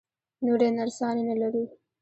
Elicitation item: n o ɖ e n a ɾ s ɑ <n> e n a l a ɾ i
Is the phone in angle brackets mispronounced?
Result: no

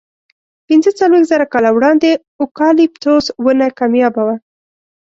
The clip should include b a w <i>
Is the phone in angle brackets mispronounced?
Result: yes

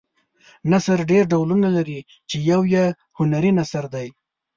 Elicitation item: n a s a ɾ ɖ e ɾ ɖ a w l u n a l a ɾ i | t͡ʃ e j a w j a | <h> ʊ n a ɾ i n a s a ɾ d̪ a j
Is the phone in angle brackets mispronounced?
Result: no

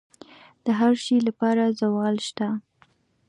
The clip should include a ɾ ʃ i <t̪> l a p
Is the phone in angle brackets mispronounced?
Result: yes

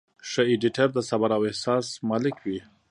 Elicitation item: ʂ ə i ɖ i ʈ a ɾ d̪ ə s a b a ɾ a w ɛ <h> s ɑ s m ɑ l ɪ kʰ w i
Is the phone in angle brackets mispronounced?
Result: no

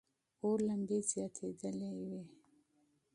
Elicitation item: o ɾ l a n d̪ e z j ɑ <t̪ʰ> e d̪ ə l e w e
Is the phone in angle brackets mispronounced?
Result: no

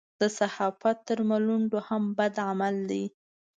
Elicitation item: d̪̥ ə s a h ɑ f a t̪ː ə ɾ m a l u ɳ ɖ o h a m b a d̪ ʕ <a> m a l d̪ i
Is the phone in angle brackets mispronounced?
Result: no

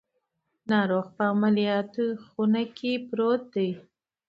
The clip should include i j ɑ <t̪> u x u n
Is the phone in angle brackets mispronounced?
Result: no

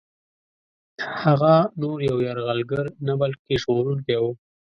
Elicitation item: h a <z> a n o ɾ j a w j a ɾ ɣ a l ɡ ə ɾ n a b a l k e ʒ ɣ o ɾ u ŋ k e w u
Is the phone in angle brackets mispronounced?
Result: yes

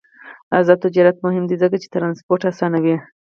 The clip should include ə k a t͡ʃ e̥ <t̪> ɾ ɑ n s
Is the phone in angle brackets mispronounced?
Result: no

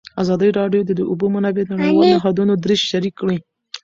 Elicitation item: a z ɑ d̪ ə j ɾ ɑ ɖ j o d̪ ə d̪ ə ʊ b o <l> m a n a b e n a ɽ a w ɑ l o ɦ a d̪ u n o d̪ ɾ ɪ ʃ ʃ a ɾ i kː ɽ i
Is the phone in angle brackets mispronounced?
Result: yes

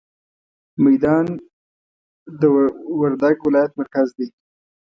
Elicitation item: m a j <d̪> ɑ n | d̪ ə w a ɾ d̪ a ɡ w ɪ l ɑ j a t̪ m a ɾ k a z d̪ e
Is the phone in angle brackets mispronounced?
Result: no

